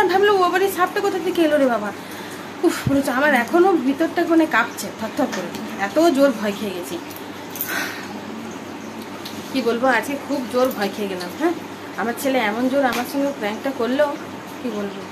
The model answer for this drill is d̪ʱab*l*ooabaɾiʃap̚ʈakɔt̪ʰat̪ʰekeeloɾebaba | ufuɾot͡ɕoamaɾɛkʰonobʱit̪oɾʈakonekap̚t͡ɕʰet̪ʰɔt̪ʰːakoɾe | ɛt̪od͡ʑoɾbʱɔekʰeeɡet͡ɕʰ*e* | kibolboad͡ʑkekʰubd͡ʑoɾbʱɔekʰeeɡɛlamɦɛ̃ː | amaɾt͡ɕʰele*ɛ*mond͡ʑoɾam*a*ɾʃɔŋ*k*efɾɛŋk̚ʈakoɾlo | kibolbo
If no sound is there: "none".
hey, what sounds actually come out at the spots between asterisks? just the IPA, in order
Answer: l, i, ɛ, a, ɡ

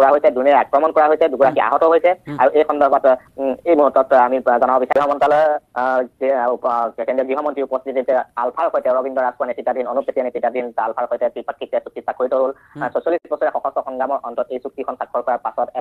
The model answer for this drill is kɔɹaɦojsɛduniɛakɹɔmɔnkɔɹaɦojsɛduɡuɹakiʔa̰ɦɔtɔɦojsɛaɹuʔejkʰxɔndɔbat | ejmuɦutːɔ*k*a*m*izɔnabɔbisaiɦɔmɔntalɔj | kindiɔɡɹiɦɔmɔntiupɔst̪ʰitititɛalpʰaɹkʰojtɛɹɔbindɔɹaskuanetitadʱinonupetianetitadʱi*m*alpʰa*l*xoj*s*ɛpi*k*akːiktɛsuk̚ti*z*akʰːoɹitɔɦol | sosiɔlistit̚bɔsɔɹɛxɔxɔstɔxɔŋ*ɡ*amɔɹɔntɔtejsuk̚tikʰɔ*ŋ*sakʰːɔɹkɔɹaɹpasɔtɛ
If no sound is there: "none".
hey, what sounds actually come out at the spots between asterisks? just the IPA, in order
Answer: t, m, n, ɹ, t, p, s, ɡ, n

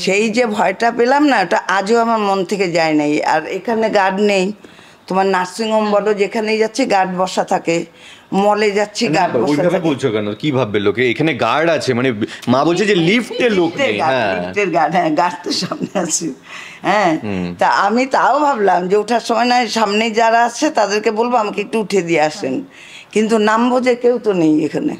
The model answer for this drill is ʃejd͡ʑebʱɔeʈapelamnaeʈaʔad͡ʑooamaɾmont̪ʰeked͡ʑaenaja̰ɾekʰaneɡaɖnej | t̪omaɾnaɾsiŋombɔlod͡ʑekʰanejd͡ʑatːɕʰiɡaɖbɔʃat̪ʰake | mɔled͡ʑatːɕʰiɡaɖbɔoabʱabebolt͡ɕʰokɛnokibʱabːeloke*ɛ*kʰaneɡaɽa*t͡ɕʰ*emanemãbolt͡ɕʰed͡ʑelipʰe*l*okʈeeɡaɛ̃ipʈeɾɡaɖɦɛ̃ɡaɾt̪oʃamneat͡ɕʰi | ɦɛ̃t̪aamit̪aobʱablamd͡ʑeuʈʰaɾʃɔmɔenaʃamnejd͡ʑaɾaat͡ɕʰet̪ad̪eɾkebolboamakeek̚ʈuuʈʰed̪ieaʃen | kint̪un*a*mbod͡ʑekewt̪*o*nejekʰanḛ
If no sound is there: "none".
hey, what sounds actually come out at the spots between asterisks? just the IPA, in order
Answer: e, t͡ɕʰ, l, a, o

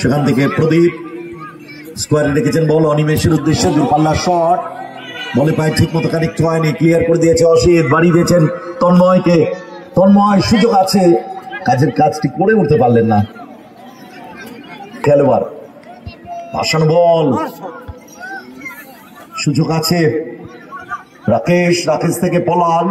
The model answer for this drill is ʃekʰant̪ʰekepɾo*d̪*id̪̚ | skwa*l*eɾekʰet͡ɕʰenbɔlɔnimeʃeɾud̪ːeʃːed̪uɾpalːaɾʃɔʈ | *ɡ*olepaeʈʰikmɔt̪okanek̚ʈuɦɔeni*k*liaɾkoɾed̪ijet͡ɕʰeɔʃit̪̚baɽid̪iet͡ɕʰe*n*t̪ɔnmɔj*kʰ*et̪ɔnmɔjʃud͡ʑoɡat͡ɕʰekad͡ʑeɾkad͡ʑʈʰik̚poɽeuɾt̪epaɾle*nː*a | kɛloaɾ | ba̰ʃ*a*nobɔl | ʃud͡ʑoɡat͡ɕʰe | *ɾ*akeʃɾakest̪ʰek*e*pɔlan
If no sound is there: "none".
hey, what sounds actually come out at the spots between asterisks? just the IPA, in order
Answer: d̪, ɾ, b, k, n, k, nː, a, ɾ, e

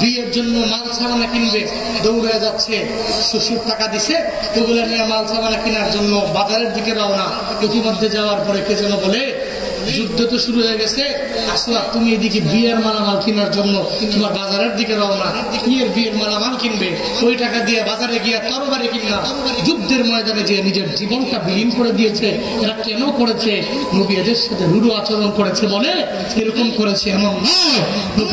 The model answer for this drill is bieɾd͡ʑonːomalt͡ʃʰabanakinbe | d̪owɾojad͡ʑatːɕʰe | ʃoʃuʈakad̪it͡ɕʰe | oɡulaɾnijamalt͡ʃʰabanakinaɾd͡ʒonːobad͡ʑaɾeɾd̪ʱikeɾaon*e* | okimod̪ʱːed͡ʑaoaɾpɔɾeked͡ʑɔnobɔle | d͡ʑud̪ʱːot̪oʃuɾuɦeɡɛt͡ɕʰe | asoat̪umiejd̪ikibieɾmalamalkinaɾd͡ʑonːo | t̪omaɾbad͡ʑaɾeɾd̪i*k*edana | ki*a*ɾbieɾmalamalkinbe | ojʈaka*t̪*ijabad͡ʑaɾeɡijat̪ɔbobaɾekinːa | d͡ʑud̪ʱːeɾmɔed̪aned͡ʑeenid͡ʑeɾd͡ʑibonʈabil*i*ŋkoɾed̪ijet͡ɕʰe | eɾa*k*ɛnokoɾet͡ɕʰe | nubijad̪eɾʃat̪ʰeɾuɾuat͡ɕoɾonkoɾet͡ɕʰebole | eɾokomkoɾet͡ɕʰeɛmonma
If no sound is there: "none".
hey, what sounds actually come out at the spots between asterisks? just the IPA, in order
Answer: a, k, e, d̪, i, k

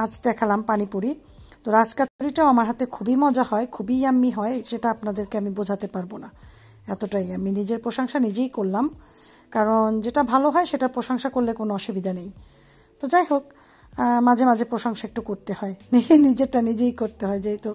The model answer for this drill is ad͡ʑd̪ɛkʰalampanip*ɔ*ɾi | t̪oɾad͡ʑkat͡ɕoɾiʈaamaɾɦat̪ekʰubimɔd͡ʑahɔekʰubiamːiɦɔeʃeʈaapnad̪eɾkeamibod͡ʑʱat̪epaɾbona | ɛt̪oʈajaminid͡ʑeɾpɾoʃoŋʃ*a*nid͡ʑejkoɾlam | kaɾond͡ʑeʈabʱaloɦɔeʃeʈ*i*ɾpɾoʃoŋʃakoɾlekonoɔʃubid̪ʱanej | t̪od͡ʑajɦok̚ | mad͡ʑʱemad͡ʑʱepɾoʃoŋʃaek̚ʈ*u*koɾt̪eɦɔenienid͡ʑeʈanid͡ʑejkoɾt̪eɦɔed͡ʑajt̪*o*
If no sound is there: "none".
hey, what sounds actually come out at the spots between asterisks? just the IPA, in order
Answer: u, a, a, u, o

